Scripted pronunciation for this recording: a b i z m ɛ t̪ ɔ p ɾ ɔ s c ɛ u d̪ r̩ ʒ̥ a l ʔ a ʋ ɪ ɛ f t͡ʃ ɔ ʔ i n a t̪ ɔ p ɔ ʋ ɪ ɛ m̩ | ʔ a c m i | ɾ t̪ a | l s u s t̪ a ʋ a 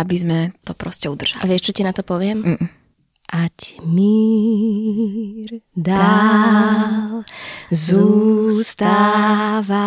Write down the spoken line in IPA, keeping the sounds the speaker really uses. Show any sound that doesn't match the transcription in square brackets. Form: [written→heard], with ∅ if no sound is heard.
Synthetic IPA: a b i z m ɛ t̪ ɔ p ɾ ɔ s c ɛ u d̪ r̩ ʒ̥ a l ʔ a ʋ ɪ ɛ [f→ʃ] t͡ʃ ɔ [ʔ→c] i n a t̪ ɔ p ɔ ʋ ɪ ɛ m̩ | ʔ a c m i | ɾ [t̪→d̪] a | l [s→z] u s t̪ a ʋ a